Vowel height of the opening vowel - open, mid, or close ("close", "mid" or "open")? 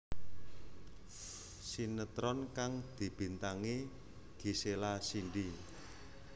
close